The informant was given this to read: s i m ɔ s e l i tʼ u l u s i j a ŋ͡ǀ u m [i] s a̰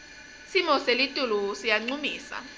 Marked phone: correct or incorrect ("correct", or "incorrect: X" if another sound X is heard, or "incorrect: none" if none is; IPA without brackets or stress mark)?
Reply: incorrect: iː